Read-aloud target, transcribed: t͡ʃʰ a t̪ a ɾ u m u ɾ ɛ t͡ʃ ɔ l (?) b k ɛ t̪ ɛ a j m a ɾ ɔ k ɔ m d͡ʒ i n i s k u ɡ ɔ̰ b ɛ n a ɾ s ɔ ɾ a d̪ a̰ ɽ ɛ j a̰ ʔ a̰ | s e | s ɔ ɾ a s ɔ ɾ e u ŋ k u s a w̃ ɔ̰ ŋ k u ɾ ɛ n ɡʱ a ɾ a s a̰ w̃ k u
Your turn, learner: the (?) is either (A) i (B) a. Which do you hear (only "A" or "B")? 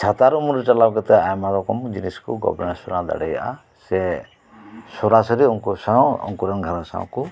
B